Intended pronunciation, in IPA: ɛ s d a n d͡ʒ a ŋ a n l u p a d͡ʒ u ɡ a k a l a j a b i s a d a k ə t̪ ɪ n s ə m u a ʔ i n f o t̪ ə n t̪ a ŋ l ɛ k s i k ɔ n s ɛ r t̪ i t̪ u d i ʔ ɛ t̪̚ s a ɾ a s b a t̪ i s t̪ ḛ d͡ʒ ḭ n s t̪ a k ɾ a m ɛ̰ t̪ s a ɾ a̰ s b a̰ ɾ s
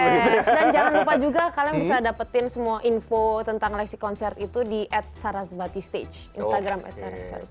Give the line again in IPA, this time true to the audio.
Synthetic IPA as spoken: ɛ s d a n d͡ʒ a ŋ a n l u p a d͡ʒ u ɡ a k a l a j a b i s a d a p ə t̪ ɪ n s ə m u a ʔ i n f o t̪ ə n t̪ a ŋ l ɛ k s i k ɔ n s ɛ r t̪ i t̪ u d i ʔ ɛ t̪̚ s a ɾ a s b a t̪ i s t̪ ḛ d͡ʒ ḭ n s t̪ a ɡ ɾ a m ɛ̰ t̪ s a ɾ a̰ s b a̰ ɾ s